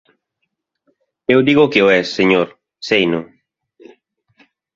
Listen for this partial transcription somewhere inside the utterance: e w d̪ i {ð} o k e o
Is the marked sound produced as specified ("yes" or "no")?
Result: no